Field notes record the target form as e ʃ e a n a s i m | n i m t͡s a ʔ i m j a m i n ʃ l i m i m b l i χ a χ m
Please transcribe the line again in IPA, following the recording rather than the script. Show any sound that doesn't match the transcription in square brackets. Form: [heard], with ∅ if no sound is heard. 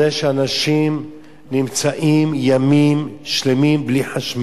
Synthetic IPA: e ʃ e a n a [ʃ] i m | n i m t͡s a ʔ i m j a m i [m] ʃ l [e] m i m b l i [ħ] a [ʃ] m